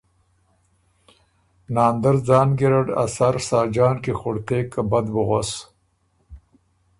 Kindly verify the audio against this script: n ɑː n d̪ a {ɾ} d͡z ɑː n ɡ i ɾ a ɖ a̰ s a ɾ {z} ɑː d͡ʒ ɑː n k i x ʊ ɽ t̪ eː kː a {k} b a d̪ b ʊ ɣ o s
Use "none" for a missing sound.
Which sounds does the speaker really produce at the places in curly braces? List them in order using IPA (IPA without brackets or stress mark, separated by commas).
ɾ, s, none